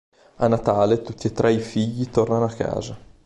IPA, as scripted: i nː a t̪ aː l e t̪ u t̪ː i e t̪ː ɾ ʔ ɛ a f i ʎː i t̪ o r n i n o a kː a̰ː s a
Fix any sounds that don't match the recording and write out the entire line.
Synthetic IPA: a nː a t̪ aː l e t̪ u t̪ː i e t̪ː ɾ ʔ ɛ i f i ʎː i t̪ o r n a n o a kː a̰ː z a